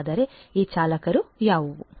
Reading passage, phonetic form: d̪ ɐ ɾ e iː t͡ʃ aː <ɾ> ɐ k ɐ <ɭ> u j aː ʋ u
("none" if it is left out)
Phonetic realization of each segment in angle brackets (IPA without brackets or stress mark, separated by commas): l, ɾ